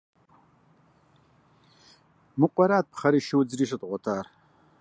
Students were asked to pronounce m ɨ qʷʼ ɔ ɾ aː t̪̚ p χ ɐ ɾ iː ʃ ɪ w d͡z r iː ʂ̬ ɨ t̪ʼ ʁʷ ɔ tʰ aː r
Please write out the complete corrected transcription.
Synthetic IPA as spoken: m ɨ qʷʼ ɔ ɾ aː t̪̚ p χ ɐ ɾ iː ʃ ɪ w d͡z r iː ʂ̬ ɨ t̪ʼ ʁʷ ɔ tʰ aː r